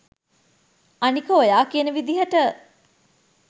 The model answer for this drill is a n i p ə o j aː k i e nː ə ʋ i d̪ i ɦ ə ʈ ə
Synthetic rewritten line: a n i k ə o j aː k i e n ə ʋ i d̪ i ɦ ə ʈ ə